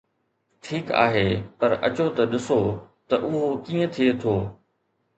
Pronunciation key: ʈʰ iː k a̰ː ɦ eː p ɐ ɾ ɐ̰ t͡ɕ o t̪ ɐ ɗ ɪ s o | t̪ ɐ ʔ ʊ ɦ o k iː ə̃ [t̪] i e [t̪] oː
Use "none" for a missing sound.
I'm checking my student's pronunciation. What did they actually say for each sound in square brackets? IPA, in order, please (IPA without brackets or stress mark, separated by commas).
t̪ʰ, t̪ʰ